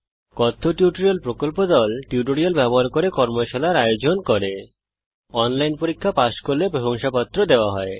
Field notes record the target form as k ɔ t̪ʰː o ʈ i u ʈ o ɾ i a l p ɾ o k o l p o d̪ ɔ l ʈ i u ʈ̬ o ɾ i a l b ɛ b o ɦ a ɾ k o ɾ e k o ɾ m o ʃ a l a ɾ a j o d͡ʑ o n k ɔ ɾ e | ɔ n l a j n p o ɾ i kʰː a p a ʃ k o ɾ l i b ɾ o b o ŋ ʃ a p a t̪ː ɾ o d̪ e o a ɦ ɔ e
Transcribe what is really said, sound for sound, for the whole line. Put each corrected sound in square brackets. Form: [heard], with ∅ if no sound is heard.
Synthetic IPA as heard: k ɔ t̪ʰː o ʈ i u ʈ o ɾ i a l p ɾ o k o l p o d̪ ɔ l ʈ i u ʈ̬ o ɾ i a l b ɛ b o ɦ a ɾ k o ɾ e k [ɔ] ɾ m o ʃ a l a ɾ a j o d͡ʑ o n k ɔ ɾ e | ɔ n l a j n p o ɾ i kʰː a p a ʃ k o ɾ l [e] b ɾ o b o ŋ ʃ a p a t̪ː ɾ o d̪ e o a ɦ ɔ e